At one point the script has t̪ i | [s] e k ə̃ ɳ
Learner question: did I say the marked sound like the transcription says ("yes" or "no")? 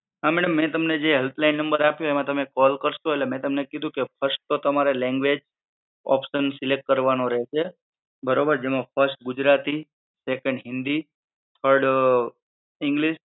yes